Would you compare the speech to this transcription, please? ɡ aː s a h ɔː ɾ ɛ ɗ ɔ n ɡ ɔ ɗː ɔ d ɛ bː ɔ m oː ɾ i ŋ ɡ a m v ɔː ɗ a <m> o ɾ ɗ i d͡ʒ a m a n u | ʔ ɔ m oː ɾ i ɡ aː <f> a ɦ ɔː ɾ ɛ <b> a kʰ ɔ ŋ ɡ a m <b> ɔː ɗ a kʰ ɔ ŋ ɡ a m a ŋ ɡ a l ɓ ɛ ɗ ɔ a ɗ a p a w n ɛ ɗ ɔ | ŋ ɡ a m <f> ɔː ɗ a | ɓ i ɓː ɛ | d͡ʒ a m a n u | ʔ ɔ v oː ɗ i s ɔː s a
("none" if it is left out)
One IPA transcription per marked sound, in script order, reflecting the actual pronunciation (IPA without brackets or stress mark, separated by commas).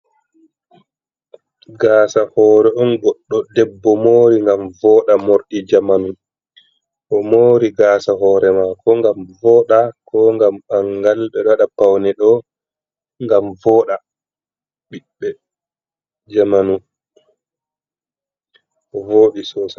m, s, m, v, v